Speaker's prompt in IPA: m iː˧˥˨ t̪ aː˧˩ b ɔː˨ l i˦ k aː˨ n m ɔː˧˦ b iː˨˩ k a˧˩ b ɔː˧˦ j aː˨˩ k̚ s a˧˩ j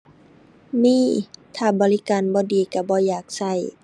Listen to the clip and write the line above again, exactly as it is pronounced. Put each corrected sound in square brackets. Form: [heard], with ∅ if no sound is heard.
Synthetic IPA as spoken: m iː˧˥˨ [t̪ʰ] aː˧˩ b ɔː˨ l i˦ k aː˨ n [b] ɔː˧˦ [d] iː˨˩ k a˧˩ b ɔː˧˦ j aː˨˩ k̚ s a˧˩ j